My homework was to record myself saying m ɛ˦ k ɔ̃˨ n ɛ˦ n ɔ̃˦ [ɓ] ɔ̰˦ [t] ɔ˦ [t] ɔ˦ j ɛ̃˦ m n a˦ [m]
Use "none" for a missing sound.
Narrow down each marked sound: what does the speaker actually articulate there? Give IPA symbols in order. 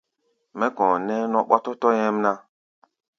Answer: ɓ, t, t, none

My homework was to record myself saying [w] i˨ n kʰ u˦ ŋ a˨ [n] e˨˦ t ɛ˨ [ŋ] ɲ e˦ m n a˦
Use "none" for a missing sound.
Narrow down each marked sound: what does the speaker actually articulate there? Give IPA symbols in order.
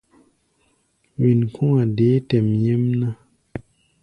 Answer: w, d, m

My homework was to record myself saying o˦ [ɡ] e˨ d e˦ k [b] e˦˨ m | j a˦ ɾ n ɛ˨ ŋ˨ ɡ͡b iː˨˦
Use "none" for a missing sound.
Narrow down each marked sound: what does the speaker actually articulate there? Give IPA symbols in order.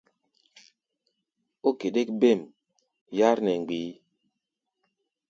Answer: k, b

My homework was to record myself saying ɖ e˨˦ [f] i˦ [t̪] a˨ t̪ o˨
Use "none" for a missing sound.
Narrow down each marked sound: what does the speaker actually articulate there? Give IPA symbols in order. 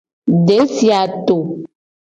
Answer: s, none

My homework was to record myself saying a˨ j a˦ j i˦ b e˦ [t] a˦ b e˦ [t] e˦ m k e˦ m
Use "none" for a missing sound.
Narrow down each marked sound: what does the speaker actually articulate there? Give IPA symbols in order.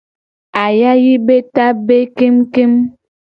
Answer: t, k

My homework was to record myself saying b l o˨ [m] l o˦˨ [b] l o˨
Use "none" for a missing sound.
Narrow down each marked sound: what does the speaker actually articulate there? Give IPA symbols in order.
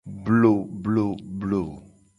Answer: b, b

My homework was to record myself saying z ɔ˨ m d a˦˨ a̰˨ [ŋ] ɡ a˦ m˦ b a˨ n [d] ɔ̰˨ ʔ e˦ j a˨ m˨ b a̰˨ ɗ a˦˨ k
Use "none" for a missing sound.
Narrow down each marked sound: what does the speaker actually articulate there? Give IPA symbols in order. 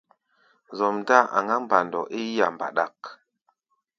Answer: ŋ, d

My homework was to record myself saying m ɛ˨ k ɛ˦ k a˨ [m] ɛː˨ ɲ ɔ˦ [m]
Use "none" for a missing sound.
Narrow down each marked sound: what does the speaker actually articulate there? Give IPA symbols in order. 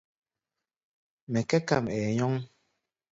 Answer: m, ŋ

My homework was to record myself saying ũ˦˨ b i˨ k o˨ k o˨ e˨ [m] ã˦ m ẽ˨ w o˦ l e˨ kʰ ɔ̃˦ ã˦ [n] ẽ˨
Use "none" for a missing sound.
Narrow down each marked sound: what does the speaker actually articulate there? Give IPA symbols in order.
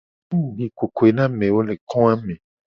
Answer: n, m

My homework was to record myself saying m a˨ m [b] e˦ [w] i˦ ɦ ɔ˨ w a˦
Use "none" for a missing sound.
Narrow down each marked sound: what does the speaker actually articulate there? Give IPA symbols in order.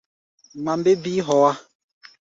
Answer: b, b

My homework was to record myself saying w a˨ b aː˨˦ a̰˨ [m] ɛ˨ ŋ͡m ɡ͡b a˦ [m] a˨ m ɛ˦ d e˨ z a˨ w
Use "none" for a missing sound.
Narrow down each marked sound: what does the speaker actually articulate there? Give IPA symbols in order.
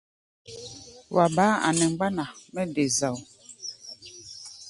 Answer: n, n

